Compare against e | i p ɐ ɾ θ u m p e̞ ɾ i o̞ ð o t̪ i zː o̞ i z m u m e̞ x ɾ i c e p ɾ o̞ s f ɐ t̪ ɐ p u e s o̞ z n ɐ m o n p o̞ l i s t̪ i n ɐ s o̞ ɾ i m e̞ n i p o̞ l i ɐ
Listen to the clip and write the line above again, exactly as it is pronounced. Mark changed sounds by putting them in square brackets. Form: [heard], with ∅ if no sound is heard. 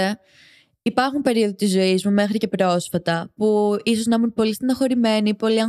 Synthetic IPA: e | i p ɐ ɾ [x] u m p e̞ ɾ i o̞ ð o t̪ i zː o̞ i z m u m e̞ x ɾ i c e p ɾ o̞ s f ɐ t̪ ɐ p u [i] s o̞ z n ɐ m [u] n p o̞ l i s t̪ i n ɐ [x] o̞ ɾ i m e̞ n i p o̞ l i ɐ